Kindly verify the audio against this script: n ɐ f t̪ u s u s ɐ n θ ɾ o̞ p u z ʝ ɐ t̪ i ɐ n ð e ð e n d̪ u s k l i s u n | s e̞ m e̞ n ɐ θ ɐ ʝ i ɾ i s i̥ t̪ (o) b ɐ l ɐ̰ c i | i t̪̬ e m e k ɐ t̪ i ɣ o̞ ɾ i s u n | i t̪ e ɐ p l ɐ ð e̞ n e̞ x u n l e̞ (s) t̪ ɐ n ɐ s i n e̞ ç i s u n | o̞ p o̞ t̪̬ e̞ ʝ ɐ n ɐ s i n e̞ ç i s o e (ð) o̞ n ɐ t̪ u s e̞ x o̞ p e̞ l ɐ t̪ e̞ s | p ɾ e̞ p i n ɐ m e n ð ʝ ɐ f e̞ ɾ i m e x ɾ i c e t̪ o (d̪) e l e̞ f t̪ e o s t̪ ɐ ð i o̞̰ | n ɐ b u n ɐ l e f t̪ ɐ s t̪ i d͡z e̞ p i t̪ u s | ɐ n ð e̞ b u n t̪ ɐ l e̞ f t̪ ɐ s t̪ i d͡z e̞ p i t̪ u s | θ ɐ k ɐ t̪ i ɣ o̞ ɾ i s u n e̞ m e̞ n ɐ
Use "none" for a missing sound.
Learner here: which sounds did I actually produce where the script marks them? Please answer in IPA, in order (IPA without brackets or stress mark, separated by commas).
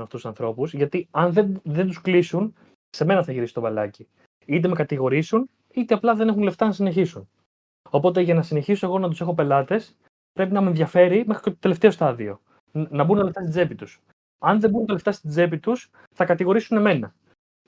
o, f, ɣ, t̪